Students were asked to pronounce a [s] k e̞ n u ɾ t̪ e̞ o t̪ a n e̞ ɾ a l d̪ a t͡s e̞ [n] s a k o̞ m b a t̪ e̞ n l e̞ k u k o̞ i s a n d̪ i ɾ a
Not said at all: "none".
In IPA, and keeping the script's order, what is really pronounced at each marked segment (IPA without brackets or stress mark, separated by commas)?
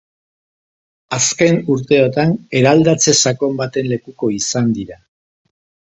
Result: s, none